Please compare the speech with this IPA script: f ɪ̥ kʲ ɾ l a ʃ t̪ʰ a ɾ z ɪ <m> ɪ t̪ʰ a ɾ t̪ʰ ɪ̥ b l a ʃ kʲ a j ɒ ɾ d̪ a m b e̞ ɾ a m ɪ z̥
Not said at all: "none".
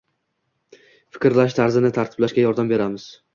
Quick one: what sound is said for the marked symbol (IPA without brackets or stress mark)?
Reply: n